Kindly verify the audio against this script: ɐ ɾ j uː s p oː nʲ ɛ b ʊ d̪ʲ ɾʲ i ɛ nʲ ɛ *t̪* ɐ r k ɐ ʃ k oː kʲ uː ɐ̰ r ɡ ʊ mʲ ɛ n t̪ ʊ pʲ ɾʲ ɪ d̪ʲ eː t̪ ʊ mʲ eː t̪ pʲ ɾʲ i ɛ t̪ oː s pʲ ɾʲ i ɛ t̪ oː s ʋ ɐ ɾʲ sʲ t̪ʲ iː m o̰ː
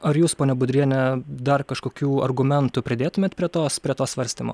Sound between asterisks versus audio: incorrect: d̪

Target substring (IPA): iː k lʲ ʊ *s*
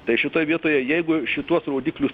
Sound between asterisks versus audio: correct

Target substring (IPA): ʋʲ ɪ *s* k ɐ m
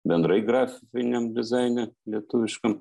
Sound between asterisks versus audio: incorrect: ʃ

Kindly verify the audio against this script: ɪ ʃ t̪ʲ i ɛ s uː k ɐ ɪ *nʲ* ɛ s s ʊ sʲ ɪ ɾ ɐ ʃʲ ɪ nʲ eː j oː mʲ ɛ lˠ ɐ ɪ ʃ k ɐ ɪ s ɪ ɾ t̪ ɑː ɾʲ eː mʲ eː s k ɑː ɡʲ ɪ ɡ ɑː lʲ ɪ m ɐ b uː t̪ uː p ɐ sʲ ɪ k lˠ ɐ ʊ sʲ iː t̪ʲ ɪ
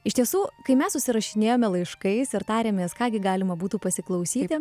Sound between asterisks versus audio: incorrect: mʲ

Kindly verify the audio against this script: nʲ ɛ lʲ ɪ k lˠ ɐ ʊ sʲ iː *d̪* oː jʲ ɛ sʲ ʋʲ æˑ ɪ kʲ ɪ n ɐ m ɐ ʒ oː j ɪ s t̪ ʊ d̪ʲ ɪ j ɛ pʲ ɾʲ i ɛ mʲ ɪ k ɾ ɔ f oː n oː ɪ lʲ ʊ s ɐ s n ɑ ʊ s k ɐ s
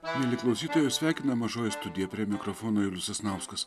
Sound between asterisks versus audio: incorrect: t̪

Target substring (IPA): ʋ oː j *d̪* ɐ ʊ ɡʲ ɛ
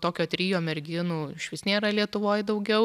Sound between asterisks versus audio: correct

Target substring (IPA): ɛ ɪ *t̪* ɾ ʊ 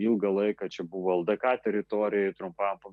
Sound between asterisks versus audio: correct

